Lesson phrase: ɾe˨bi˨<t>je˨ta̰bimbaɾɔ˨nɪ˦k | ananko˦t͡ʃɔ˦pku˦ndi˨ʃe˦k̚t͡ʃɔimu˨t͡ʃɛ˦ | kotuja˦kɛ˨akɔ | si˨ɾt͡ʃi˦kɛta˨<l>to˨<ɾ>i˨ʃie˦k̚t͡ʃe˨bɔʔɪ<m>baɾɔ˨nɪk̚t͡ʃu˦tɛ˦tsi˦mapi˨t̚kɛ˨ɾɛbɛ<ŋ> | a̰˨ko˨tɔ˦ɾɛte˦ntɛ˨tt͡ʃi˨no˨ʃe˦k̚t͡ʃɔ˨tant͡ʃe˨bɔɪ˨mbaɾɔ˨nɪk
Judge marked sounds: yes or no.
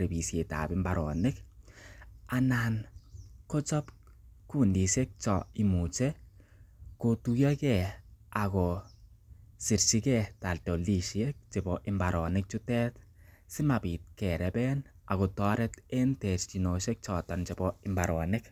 no, yes, no, yes, no

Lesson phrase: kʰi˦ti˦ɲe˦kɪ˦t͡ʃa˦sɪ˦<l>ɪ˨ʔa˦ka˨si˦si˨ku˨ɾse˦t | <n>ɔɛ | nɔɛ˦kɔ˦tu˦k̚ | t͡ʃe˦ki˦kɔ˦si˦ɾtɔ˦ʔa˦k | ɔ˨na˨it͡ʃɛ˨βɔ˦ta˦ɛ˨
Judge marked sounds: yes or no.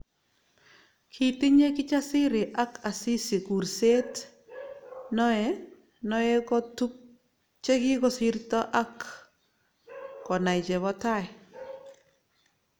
no, yes

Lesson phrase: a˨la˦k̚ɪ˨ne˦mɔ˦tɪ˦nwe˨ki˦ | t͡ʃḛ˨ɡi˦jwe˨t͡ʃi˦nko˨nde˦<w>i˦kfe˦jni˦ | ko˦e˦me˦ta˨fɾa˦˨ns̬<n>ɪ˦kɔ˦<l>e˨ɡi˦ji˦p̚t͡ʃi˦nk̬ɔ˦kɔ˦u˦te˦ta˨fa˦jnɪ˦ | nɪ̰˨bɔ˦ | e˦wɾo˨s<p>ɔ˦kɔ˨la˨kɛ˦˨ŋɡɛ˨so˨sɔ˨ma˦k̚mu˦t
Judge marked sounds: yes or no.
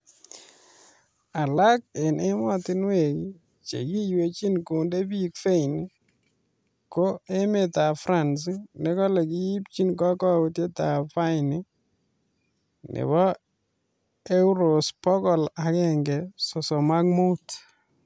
no, yes, yes, yes

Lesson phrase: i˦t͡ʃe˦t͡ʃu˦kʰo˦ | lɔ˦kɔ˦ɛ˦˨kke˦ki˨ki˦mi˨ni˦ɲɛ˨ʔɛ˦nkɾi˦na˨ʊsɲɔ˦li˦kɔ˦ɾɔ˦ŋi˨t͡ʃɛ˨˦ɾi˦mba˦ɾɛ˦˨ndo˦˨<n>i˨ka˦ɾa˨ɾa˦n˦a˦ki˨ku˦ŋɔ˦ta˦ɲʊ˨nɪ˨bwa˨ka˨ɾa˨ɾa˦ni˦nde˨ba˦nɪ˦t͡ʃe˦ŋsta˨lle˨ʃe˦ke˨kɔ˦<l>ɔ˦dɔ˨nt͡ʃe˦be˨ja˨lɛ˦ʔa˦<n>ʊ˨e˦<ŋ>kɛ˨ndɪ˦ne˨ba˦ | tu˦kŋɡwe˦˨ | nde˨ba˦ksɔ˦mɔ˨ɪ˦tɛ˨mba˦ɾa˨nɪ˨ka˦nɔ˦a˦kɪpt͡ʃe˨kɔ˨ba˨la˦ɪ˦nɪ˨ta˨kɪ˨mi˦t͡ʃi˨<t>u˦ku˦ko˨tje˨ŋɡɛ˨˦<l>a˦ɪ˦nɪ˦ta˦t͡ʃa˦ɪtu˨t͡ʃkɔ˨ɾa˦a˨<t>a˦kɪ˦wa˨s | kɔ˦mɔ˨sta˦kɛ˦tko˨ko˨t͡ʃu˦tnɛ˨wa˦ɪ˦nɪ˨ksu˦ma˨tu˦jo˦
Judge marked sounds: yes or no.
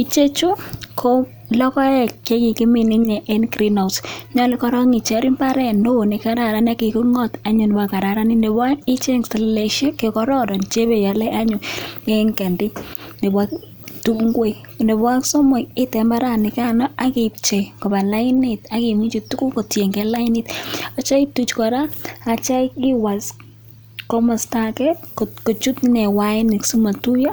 yes, no, no, yes, yes, yes, no

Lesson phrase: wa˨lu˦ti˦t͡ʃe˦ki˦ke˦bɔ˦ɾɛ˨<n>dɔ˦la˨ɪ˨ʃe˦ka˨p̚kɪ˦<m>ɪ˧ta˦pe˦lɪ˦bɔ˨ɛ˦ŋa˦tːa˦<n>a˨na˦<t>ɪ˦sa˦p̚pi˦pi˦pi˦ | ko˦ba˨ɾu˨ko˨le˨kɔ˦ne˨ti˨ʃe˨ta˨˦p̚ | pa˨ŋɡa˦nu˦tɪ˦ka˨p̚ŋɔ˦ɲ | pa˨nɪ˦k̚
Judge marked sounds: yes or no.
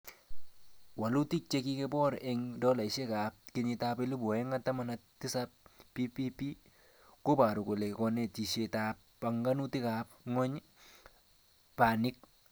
no, no, no, yes

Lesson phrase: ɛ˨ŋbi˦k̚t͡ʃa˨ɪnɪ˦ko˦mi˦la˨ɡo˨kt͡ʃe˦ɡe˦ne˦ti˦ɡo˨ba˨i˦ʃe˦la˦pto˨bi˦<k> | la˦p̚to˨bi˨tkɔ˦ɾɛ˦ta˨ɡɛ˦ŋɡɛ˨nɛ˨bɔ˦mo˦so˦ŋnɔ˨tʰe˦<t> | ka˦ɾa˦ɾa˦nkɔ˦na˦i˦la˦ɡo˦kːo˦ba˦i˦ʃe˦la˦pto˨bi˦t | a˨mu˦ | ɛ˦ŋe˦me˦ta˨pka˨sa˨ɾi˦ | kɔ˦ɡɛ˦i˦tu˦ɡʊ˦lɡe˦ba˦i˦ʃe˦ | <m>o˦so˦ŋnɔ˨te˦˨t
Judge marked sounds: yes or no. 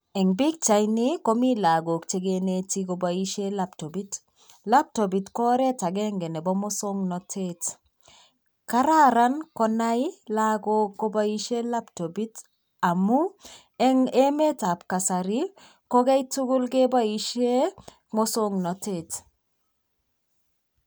no, yes, yes

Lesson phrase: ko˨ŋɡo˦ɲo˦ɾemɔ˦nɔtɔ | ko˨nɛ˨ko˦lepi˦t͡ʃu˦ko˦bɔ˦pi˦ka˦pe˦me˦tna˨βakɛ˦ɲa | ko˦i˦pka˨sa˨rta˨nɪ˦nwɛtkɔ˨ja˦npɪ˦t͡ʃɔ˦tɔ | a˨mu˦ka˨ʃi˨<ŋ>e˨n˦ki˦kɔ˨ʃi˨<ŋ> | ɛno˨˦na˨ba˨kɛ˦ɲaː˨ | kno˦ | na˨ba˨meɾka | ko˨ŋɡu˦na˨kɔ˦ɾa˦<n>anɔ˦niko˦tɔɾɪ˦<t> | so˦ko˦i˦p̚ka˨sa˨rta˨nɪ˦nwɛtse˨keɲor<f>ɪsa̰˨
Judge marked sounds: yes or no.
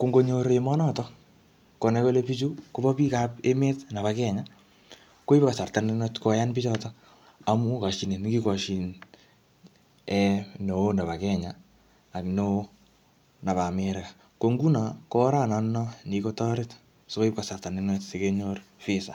no, no, yes, yes, yes

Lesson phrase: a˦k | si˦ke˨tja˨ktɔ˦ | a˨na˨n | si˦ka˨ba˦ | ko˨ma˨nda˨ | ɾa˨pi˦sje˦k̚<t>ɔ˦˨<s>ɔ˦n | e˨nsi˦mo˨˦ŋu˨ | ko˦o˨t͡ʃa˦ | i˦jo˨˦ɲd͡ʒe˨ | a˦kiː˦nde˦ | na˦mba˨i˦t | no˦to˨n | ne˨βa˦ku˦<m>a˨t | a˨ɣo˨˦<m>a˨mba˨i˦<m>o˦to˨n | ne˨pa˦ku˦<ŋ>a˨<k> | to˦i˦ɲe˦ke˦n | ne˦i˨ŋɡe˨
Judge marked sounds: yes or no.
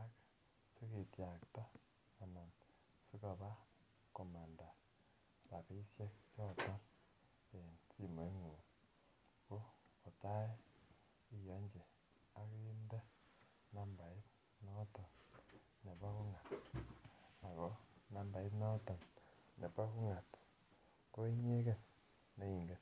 no, no, no, no, no, yes, no

